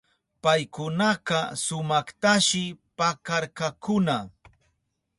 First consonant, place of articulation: labial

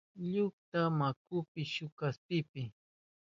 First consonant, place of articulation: palatal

